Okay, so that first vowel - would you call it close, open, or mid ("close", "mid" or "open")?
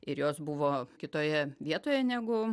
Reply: close